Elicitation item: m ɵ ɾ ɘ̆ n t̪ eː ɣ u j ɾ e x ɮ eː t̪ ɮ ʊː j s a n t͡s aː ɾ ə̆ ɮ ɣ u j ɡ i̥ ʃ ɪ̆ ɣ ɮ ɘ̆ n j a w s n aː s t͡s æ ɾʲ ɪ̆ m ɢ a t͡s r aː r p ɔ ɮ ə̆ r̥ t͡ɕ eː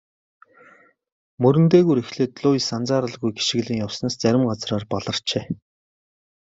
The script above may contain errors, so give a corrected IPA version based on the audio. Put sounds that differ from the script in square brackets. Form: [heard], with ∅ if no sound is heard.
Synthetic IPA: m ɵ ɾ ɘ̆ n t̪ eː ɣ u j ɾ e x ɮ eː t̪ ɮ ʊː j s a n t͡s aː ɾ ə̆ ɮ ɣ u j ɡ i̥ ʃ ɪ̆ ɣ ɮ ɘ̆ [ŋ] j a w s n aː s t͡s æ ɾʲ ɪ̆ m ɢ a t͡s r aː r p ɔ ɮ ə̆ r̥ t͡ɕ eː